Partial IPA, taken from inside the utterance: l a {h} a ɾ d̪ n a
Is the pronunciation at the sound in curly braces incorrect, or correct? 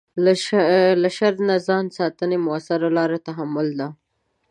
incorrect